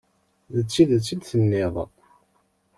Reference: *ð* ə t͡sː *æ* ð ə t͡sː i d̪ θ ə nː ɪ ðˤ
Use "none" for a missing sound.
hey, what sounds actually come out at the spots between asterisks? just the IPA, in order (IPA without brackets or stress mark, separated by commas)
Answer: ð, i